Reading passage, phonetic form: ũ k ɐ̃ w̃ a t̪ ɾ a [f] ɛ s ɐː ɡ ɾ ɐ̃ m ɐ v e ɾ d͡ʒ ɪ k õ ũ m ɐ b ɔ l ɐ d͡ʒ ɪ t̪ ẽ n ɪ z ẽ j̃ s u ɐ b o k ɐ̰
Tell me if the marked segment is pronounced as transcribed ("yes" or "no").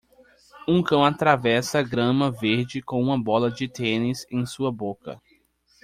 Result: no